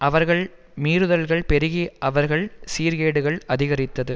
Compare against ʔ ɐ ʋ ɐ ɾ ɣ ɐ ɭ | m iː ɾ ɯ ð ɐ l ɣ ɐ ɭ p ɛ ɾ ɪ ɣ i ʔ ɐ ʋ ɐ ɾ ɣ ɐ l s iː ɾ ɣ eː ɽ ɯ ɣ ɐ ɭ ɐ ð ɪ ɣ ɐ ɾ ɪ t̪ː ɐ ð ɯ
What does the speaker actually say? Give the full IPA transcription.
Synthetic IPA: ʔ ɐ ʋ ɐ ɾ ɣ ɐ ɭ | m iː ɾ ɯ ð ɐ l ɣ ɐ ɭ p ɛ ɾ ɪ ɣ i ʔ ɐ ʋ ɐ ɾ ɣ ɐ ɭ s iː ɾ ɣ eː ɽ ɯ ɣ ɐ ɭ ɐ ð ɪ ɣ ɐ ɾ ɪ t̪ː ɐ ð ɯ